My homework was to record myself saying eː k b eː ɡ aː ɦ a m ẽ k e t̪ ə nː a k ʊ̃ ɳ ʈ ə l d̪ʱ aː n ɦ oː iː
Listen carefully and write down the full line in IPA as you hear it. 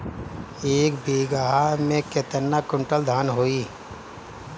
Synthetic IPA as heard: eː k b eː ɡ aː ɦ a m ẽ k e t̪ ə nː a k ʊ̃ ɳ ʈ ə l d̪ʱ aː n ɦ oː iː